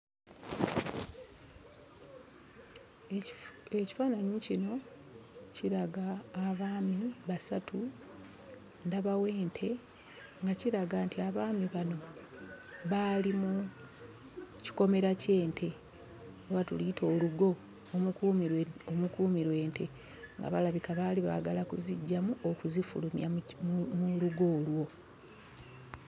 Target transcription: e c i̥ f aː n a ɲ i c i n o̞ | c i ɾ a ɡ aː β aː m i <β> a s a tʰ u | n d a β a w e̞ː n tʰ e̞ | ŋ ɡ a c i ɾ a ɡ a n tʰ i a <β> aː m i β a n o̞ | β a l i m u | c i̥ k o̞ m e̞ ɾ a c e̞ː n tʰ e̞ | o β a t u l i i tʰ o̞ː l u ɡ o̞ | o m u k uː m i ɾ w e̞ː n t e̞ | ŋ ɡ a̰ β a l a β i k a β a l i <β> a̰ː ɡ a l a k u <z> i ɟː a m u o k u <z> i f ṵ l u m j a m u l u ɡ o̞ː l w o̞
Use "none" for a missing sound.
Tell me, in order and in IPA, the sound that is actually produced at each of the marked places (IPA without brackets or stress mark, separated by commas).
β, β, β, z, z